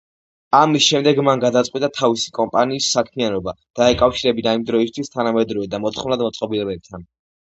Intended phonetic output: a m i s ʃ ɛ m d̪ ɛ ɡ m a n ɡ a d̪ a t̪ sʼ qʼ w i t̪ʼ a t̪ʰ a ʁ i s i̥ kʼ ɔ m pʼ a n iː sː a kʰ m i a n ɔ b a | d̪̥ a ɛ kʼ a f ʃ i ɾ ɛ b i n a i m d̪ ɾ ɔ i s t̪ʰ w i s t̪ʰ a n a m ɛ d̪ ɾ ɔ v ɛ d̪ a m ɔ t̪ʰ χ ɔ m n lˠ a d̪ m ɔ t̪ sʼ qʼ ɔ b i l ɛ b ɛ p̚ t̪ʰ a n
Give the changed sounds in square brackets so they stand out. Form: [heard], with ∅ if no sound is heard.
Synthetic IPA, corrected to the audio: a m i s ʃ ɛ m d̪ ɛ ɡ m a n ɡ a d̪ a t̪ sʼ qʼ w i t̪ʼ a t̪ʰ a [v] i s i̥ kʼ ɔ m pʼ a n iː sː a kʰ m i a n ɔ b a | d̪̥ a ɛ kʼ a f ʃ i ɾ ɛ b i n a i m d̪ ɾ ɔ i s t̪ʰ w i s t̪ʰ a n a m ɛ d̪ ɾ ɔ v ɛ d̪ a m ɔ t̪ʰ χ ɔ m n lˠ a d̪ m ɔ t̪ sʼ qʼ ɔ b i l ɛ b ɛ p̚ t̪ʰ a n